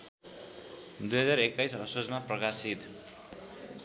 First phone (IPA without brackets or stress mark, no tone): d̪